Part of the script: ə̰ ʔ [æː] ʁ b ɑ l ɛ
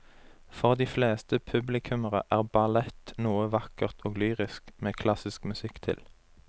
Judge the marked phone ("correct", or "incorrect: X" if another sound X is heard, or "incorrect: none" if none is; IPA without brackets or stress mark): correct